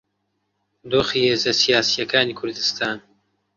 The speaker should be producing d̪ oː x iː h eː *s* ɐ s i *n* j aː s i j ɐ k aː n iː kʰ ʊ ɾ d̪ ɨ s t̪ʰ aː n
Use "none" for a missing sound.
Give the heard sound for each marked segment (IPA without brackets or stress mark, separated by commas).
z, none